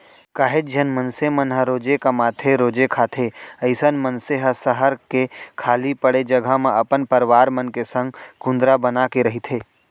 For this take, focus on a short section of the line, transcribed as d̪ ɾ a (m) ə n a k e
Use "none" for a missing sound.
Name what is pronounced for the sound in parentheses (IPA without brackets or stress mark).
b